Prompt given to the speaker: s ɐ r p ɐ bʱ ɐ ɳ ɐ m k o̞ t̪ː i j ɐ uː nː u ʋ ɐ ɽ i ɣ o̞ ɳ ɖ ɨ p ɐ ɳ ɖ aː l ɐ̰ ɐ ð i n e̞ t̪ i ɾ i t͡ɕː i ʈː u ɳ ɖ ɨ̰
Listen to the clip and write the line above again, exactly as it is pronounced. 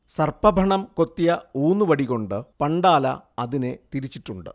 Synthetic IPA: s ɐ r p ɐ bʱ ɐ ɳ ɐ m k o̞ t̪ː i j ɐ uː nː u ʋ ɐ ɽ i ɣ o̞ ɳ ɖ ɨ p ɐ ɳ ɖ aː l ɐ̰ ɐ ð i n e̞ t̪ i ɾ i t͡ɕː i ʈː u ɳ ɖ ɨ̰